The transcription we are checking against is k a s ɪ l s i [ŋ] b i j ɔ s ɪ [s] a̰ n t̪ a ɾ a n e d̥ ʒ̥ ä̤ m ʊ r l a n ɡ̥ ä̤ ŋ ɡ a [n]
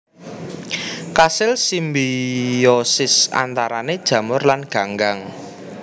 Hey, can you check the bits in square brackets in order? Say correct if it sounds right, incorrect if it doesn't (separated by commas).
incorrect, correct, incorrect